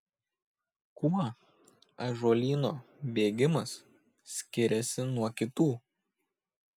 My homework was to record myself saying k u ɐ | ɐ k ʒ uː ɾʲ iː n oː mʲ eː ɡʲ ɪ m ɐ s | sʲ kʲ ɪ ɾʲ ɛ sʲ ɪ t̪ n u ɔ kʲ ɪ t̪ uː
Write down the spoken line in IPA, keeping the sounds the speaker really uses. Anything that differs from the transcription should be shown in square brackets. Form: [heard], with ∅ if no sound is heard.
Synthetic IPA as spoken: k u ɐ | ɐ [∅] ʒ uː [lʲ] iː n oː [bʲ] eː ɡʲ ɪ m ɐ s | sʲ kʲ ɪ ɾʲ ɛ sʲ ɪ [∅] n u ɔ kʲ ɪ t̪ uː